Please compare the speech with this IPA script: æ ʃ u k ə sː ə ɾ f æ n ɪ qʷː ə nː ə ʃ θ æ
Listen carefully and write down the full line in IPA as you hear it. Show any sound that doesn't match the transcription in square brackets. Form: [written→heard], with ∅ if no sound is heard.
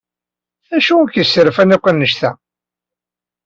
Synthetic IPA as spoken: æ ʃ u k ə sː ə ɾ f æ n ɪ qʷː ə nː ə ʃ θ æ

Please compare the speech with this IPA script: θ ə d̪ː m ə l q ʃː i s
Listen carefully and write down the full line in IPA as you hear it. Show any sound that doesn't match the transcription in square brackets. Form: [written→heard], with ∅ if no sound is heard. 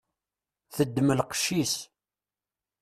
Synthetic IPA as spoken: θ ə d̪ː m ə l q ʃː i s

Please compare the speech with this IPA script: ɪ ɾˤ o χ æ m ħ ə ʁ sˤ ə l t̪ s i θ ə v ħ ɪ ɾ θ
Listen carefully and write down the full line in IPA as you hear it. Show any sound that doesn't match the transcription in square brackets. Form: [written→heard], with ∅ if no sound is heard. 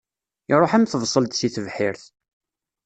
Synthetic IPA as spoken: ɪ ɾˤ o [χ→ħ] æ m [ħ→θ] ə [ʁ→v] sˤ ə l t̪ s i θ ə v ħ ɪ ɾ θ

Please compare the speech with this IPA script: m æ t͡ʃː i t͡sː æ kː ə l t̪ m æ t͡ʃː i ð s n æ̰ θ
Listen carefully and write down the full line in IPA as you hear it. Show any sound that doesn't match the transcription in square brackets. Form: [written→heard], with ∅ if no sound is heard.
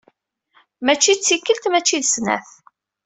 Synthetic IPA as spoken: m æ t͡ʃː i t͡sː [æ→i] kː ə l t̪ m æ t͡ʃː i ð s n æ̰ θ

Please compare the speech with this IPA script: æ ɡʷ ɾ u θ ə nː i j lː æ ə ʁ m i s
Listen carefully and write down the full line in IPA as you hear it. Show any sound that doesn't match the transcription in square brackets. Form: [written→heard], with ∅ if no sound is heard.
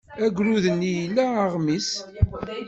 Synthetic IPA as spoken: æ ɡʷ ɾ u [θ→ð] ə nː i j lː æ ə ʁ m i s

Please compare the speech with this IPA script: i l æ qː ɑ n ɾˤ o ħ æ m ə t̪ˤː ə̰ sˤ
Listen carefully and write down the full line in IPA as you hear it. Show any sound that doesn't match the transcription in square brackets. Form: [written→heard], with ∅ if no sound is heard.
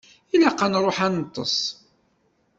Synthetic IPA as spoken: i l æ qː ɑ n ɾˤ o ħ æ [m→n] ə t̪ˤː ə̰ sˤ

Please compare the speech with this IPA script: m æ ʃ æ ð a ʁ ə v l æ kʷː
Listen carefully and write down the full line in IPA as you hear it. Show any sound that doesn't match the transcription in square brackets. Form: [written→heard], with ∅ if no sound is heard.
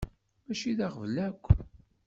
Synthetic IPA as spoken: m æ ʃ [æ→i] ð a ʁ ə v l æ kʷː

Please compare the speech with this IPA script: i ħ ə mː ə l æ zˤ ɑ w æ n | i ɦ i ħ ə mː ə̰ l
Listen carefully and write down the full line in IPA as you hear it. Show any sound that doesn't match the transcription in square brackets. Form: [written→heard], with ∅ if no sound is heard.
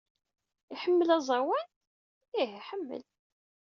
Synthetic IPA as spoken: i ħ ə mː ə l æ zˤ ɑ w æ n | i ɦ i ħ ə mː ə̰ l

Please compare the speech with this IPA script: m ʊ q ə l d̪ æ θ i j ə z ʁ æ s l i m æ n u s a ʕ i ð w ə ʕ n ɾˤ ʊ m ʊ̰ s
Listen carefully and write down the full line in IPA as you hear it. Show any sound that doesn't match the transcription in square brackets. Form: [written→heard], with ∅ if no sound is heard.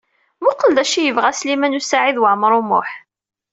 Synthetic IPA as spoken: m ʊ q ə l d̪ æ [θ→ʃ] i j ə [z→v] ʁ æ s l i m æ n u s a ʕ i ð w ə ʕ [n→m] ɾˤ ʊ m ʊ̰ [s→ħ]

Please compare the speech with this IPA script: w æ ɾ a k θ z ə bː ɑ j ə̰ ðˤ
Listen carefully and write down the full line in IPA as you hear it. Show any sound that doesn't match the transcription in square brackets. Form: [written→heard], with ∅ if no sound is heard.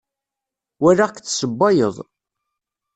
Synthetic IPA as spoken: w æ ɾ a k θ [z→s] ə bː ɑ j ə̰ ðˤ

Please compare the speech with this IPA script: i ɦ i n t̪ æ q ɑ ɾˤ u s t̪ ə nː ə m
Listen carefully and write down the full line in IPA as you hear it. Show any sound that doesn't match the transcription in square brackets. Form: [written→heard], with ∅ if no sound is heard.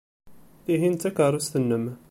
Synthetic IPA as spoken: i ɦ i n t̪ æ [q→k] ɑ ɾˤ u s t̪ ə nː ə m

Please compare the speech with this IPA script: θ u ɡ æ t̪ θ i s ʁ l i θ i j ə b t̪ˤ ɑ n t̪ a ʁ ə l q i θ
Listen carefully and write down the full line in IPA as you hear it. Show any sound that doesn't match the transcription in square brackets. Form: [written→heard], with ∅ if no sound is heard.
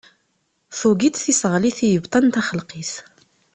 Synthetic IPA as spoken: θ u ɡ [æ→i] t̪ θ i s ʁ l i θ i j ə b t̪ˤ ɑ n t̪ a [ʁ→χ] ə l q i θ

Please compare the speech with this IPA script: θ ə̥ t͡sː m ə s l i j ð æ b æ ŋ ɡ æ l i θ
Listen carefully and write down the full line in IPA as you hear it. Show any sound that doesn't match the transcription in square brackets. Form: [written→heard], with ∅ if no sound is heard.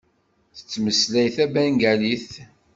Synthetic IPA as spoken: θ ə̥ t͡sː m ə s l [i→æ] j [ð→θ] æ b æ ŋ ɡ æ l i θ

